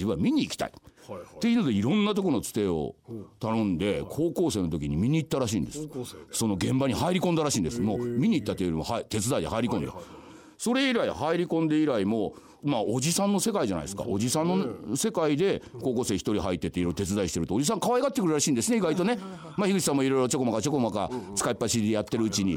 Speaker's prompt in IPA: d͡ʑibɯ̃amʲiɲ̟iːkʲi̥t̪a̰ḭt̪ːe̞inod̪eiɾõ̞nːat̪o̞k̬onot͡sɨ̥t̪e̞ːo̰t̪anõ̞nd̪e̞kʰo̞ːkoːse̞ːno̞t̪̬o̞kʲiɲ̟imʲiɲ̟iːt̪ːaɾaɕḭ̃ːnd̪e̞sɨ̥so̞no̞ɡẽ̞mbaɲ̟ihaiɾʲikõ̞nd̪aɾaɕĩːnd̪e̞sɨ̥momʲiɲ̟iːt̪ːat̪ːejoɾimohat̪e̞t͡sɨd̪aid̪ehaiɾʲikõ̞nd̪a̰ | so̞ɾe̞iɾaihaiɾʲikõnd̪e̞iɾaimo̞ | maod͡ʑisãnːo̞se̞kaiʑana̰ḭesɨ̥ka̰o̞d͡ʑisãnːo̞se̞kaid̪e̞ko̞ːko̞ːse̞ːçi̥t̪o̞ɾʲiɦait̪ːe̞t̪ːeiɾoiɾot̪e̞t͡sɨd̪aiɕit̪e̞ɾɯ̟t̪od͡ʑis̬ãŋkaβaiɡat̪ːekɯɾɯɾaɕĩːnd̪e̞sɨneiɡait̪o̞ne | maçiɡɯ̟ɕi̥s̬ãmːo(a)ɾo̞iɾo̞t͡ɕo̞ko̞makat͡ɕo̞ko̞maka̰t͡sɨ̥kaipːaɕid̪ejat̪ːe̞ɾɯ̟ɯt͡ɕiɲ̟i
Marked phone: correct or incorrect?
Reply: incorrect